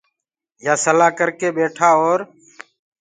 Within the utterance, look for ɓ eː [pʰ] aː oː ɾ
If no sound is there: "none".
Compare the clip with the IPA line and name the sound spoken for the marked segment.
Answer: ʈʰ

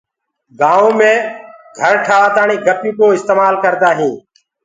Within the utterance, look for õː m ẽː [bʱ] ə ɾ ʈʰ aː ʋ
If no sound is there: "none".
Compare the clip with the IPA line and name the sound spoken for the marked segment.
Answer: ɡʱ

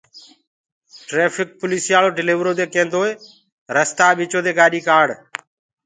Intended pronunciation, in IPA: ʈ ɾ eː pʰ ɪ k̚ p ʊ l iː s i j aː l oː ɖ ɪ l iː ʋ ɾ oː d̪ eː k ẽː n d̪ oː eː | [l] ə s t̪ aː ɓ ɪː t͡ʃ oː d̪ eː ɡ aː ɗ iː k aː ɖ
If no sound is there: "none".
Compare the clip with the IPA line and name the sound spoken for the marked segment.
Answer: ɾ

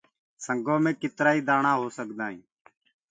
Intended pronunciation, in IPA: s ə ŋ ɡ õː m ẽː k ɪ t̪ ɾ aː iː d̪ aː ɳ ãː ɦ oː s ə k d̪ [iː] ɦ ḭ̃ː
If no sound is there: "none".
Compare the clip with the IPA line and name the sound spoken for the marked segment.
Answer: aː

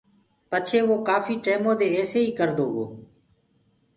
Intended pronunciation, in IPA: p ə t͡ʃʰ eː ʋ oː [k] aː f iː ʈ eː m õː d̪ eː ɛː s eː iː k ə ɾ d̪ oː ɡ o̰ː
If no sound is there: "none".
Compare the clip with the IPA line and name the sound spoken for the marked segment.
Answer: k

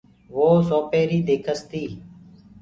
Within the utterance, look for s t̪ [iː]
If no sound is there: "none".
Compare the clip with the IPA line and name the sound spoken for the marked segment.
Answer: iː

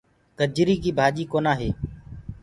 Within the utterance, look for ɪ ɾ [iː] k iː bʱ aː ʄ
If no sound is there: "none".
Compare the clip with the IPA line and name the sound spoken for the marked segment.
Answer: iː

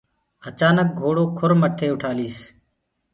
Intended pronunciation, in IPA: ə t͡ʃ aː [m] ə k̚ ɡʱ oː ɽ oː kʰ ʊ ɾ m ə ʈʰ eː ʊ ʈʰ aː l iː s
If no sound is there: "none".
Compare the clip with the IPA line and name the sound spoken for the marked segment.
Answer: n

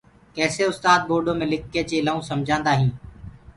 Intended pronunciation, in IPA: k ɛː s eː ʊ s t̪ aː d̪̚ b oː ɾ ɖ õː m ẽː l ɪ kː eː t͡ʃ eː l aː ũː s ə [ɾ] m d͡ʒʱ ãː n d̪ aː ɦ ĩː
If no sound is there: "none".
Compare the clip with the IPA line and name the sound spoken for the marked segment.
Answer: none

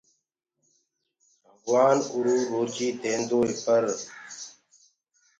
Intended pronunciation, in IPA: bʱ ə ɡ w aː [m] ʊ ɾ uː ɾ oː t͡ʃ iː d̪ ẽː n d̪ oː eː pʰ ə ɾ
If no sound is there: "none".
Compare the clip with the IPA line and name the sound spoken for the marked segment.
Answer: n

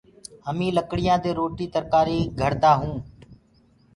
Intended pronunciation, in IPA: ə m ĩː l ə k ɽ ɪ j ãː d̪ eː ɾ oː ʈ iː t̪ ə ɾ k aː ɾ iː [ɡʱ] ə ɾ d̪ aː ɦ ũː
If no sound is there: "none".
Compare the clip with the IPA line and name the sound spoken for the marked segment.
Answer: ɡʱ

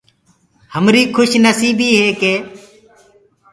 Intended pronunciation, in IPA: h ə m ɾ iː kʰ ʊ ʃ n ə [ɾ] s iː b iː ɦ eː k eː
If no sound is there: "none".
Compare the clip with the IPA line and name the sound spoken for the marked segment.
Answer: none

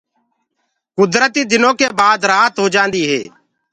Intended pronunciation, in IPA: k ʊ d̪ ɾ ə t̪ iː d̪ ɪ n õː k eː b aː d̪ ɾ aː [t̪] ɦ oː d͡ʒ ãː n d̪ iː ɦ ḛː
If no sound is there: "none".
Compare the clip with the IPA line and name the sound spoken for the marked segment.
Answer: t̪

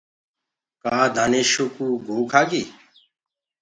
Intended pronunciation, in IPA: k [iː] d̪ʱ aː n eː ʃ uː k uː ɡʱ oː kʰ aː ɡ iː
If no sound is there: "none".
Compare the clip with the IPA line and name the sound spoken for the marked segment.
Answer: aː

